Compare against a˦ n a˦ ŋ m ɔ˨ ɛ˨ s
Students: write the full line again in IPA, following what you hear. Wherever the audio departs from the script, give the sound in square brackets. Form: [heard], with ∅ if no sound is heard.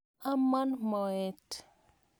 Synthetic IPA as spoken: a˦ [m] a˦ [n] m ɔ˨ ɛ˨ [t]